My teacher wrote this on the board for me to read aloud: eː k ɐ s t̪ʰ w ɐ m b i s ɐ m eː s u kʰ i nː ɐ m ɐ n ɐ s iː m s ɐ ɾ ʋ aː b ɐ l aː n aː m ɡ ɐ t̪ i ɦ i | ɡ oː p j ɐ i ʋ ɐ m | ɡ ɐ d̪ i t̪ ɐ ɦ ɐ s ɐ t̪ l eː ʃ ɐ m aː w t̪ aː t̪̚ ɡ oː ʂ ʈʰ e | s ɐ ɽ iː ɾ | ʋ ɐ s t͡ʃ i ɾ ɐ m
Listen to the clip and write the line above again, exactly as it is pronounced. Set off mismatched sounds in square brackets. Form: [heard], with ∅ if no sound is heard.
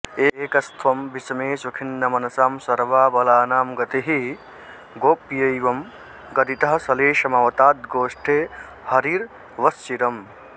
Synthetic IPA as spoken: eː k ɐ s t̪ʰ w ɐ m b i s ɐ m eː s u kʰ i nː ɐ m ɐ n ɐ s [aː] m s ɐ ɾ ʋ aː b ɐ l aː n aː m ɡ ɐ t̪ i ɦ i | ɡ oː p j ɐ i ʋ ɐ m | ɡ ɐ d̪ i t̪ ɐ ɦ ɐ s ɐ [∅] l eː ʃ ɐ m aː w t̪ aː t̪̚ ɡ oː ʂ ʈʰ e | [h] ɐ [ɾ] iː ɾ | ʋ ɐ s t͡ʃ i ɾ ɐ m